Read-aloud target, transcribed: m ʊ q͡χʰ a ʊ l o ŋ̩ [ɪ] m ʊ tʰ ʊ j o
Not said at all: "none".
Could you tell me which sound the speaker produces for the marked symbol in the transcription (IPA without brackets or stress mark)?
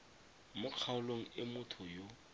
ɪ